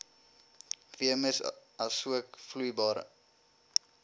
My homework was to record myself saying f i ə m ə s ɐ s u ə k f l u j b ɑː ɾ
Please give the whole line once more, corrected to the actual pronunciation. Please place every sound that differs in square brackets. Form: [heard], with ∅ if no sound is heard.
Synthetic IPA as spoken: [v] i ə m ə s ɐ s u ə k f l u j b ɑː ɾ